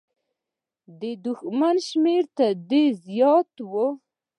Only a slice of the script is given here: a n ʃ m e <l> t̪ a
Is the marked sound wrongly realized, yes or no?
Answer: yes